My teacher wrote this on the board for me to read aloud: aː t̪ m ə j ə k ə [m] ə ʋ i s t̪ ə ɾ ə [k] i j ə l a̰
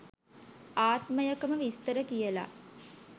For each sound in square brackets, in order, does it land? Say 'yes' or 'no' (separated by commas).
yes, yes